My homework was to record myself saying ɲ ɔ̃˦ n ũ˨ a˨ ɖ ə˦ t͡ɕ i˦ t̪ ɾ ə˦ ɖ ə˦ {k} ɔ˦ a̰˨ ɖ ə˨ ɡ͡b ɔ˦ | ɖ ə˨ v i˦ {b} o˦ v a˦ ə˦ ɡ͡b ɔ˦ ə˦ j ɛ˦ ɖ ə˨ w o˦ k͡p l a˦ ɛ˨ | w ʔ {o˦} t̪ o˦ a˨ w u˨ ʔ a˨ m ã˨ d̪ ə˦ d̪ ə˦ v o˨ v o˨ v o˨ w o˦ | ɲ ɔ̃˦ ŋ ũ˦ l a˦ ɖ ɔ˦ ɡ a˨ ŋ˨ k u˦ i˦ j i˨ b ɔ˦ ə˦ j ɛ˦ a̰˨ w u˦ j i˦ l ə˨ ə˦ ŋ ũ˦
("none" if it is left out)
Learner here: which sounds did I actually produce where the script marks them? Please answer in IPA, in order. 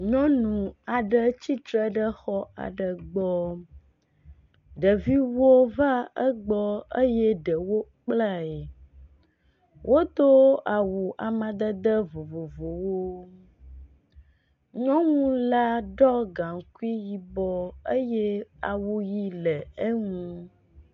x, w, o˦

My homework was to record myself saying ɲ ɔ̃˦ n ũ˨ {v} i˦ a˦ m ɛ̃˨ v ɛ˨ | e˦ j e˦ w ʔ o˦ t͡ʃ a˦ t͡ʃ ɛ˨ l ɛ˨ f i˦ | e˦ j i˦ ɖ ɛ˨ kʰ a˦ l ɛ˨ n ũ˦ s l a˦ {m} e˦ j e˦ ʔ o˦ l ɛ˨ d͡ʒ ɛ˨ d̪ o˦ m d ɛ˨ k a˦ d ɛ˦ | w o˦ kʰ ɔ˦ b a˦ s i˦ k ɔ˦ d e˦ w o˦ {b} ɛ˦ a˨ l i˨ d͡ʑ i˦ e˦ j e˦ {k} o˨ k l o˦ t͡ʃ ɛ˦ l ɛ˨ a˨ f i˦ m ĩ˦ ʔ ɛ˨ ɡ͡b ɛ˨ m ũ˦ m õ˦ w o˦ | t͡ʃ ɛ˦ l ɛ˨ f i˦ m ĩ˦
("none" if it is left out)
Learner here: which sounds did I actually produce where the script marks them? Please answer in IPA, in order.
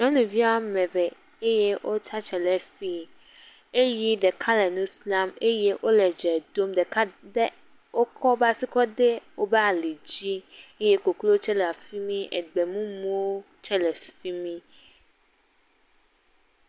v, m, b, k

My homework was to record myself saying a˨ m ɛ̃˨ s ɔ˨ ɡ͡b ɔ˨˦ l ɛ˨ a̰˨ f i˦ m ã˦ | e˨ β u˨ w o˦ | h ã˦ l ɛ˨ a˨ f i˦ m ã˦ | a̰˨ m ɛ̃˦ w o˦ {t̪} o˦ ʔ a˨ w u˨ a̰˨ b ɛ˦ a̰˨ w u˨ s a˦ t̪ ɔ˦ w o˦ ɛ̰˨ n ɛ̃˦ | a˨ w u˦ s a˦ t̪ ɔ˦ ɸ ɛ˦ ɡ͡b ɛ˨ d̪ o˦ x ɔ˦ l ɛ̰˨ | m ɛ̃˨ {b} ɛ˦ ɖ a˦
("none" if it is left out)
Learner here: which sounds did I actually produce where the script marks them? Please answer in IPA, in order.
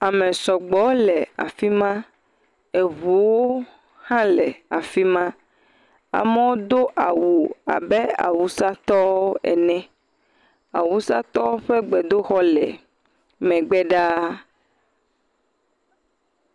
d̪, ɡ͡b

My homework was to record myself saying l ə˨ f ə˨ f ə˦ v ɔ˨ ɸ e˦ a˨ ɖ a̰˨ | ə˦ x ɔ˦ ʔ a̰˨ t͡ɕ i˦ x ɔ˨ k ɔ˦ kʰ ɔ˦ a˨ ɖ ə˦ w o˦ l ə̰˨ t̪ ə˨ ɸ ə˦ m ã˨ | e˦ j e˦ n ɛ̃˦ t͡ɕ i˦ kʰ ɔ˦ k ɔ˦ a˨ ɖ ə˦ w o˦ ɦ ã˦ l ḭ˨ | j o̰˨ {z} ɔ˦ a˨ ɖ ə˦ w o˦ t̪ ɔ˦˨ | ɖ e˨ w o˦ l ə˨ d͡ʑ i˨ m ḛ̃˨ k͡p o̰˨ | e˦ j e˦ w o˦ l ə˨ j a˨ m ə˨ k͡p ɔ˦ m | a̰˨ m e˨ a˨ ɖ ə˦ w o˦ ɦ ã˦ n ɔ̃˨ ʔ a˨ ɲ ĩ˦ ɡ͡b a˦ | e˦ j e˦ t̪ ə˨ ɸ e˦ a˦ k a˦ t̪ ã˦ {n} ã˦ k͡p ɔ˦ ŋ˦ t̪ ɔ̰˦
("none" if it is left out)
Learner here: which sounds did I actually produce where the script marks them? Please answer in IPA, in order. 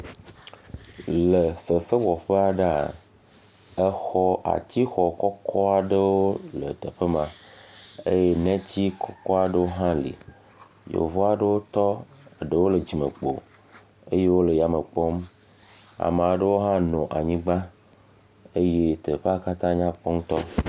v, ɲ

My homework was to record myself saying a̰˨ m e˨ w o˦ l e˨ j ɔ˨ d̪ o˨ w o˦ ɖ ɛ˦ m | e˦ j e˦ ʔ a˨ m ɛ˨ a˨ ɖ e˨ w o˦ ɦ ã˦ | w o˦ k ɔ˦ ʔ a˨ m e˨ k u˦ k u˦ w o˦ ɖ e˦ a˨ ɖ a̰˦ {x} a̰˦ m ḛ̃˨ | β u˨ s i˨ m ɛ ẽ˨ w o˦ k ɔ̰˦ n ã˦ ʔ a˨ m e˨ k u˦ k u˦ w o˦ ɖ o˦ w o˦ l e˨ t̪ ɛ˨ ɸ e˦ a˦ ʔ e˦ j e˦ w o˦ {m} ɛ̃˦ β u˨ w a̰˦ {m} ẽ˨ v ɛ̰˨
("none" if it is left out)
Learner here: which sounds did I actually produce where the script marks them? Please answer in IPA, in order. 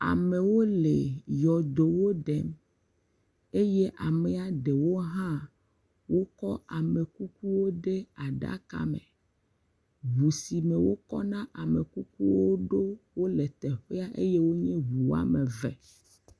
k, ɲ, m

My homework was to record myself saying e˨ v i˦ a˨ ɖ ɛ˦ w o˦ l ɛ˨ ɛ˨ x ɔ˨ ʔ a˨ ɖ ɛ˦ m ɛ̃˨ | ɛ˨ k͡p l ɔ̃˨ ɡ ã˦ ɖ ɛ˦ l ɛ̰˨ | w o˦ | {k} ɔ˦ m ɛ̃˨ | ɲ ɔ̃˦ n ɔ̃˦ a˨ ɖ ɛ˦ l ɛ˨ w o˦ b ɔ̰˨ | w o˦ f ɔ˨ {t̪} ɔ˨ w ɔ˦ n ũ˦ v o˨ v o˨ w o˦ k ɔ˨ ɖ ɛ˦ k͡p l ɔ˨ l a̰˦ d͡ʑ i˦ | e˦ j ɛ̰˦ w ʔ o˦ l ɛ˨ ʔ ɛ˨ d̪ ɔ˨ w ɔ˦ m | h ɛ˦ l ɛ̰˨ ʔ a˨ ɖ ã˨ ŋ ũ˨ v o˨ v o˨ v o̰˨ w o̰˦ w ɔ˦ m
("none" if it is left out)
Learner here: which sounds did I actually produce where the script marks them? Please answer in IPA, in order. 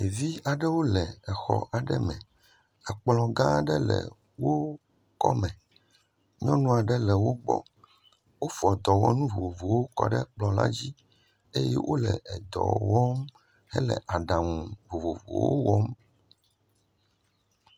k, d̪

